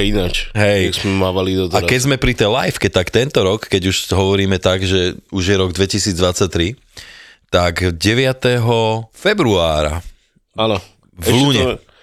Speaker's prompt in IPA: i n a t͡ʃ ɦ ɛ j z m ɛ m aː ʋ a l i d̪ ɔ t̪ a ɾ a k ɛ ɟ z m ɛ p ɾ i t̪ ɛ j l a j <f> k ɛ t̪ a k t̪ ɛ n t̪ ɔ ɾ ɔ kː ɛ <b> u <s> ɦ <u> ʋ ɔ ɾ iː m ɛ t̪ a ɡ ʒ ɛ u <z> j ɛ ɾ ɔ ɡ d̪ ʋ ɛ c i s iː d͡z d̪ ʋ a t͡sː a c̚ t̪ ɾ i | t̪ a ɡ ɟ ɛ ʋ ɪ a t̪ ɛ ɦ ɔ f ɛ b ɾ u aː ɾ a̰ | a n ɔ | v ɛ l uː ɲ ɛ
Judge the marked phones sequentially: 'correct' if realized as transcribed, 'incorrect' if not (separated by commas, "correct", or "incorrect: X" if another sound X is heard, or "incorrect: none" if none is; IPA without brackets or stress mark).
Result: correct, incorrect: ɟ, incorrect: ʃ, incorrect: ɔ, incorrect: ʒ